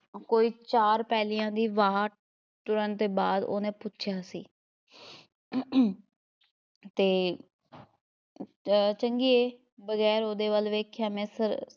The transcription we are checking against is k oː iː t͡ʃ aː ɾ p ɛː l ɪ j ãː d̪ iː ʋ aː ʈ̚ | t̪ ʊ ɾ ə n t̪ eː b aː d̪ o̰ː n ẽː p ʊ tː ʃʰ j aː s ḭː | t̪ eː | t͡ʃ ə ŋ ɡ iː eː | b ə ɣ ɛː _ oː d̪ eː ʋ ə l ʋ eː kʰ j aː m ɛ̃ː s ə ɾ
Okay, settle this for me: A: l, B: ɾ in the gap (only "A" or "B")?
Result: B